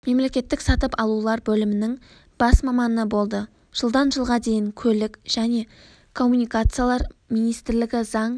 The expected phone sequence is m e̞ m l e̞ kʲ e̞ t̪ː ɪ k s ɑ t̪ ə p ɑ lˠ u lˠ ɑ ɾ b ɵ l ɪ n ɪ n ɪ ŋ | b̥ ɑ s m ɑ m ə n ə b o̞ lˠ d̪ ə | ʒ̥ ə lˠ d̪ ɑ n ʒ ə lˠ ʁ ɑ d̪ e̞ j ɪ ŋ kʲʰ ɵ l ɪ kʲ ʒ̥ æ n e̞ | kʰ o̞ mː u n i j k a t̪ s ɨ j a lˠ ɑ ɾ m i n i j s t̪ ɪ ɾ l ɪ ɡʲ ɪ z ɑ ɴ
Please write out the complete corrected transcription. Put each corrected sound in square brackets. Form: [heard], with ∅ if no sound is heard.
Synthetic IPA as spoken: m e̞ m l e̞ kʲ e̞ t̪ː ɪ k s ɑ t̪ ə p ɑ lˠ u lˠ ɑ ɾ b ɵ l ɪ [m] ɪ n ɪ ŋ | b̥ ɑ s m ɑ m [ɑ] n ə b o̞ lˠ d̪ ə | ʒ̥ ə lˠ d̪ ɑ n ʒ ə lˠ ʁ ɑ d̪ e̞ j ɪ ŋ kʲʰ ɵ l ɪ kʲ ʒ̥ æ n e̞ | kʰ o̞ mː u n i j k a t̪ s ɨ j a lˠ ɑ ɾ m i n i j s t̪ ɪ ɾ l ɪ ɡʲ ɪ z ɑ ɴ